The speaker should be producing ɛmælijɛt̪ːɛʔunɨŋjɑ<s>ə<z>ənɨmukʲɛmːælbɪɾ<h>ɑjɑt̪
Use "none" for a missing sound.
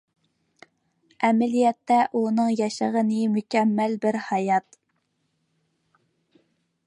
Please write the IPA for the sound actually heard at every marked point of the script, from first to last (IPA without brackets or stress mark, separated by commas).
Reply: ʃ, ʁ, h